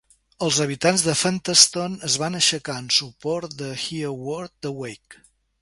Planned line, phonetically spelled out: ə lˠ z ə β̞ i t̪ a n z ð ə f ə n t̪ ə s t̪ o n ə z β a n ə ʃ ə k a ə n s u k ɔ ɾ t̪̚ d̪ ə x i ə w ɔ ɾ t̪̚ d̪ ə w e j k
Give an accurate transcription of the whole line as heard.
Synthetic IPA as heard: ə lˠ z ə β̞ i t̪ a n z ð ə f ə n t̪ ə s t̪ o n ə z β a n ə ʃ ə k a ə n s u p ɔ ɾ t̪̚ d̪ ə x i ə w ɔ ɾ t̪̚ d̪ ə w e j k